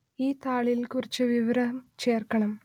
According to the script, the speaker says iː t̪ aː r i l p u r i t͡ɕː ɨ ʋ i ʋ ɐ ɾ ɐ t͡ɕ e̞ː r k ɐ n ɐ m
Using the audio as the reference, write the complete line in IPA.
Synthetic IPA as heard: iː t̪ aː ɭ i l k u r i t͡ɕː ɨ ʋ i ʋ ɐ ɾ ɐ t͡ɕ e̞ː r k ɐ ɳ ɐ m